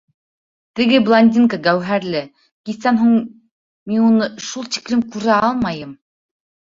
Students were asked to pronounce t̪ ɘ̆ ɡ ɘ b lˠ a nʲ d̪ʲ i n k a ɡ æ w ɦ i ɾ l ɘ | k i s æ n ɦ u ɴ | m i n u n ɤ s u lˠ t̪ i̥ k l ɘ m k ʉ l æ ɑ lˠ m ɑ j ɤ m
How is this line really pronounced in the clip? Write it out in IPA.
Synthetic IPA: t̪ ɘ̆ ɡ ɘ b lˠ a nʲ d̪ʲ i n k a ɡ æ w ɦ æ ɾ l ɘ | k i s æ n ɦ u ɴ | m i n u n ɤ ʃ u lˠ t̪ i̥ k l ɘ m k ʉ ɾ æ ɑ lˠ m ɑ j ɤ m